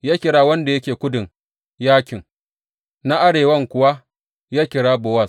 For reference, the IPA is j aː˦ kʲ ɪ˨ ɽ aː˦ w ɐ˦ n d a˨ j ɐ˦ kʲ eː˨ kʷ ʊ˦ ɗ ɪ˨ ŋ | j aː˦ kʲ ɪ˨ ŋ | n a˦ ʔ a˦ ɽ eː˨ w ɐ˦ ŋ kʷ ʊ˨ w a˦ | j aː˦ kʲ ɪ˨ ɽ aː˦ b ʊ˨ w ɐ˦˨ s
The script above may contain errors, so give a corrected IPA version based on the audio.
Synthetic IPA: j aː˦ kʲ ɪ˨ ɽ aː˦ w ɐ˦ n d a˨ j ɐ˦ kʲ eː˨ kʷ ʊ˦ d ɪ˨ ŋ | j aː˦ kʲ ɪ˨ ŋ | n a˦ ʔ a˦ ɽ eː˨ w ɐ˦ ŋ kʷ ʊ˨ w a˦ | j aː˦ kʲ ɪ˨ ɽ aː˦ b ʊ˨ w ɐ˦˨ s